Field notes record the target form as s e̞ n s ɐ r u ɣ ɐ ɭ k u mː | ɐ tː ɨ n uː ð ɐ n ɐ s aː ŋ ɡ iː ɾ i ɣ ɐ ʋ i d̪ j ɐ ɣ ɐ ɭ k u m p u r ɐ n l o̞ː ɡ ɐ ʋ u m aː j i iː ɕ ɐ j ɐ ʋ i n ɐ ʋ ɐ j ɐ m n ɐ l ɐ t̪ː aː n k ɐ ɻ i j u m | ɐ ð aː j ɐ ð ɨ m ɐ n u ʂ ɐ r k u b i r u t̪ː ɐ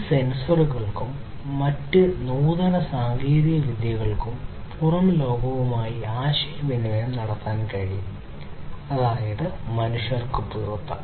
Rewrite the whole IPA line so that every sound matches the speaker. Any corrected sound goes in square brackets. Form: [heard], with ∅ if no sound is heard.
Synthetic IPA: s e̞ n s ɐ r u ɣ ɐ ɭ k u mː | ɐ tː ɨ n uː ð ɐ n ɐ s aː ŋ ɡ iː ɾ i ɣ ɐ ʋ i d̪ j ɐ ɣ ɐ ɭ k u m p u r ɐ [m] l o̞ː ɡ ɐ ʋ u m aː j i [aː] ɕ ɐ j ɐ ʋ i n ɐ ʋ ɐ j ɐ m n ɐ [ɽ] ɐ t̪ː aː n k ɐ ɻ i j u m | ɐ ð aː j ɐ ð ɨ m ɐ n u ʂ ɐ r k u [p] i r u t̪ː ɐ